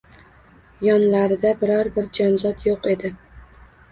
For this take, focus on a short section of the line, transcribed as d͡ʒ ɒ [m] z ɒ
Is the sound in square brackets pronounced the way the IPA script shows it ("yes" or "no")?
no